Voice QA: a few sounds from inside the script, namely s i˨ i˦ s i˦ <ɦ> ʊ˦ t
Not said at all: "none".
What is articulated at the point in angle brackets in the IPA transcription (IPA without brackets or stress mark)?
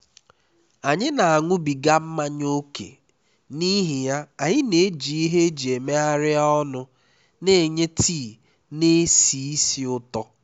none